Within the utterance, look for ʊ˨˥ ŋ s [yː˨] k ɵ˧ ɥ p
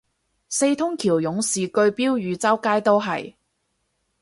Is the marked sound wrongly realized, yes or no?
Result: yes